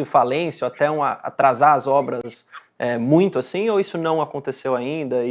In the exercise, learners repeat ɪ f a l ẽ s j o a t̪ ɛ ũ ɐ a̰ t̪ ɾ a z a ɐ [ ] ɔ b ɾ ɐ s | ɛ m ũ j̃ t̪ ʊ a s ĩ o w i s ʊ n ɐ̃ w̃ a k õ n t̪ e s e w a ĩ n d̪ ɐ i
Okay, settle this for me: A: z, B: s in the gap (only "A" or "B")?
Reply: A